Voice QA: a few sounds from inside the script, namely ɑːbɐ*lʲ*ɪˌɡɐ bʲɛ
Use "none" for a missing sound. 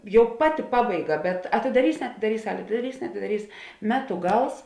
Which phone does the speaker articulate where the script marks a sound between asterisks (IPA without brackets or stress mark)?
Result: none